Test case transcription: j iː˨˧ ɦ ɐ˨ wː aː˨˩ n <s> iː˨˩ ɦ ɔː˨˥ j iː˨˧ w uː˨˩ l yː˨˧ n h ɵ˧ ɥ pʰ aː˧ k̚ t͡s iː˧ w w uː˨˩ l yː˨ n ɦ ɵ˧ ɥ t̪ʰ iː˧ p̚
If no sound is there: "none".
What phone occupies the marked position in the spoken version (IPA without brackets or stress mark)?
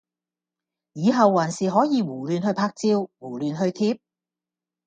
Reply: s